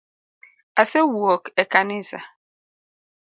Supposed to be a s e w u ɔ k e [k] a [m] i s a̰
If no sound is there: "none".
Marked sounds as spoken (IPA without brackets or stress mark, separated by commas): k, n